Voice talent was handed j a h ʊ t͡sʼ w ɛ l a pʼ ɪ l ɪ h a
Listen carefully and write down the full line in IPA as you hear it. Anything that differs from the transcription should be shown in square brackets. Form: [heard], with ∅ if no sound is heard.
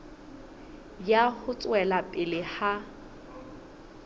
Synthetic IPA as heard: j a h ʊ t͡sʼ w ɛ l a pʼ ɪ l ɪ h a